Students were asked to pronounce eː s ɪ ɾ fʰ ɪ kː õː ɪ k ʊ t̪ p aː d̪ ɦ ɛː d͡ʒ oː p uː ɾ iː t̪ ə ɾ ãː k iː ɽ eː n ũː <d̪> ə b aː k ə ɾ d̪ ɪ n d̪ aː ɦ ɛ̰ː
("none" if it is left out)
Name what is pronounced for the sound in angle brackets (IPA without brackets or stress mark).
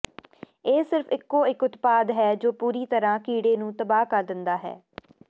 t̪